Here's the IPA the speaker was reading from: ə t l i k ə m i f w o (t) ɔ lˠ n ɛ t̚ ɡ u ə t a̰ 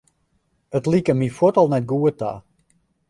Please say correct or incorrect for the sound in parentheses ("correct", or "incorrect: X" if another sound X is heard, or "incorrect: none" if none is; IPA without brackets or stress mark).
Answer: correct